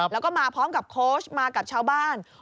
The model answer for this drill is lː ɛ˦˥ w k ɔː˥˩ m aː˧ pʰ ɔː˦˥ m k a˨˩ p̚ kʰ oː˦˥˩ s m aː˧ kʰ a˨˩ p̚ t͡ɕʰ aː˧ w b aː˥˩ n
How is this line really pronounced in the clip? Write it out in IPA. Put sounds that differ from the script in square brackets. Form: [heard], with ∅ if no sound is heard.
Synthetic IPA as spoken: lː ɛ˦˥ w k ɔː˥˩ m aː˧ pʰ ɔː˦˥ m k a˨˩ p̚ kʰ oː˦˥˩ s m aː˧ [k] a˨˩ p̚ t͡ɕʰ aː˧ w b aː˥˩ n